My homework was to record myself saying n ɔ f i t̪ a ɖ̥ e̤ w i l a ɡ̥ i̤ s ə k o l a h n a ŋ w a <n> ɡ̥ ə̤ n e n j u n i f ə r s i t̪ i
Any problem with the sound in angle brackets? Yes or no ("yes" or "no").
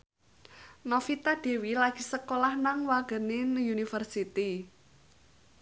yes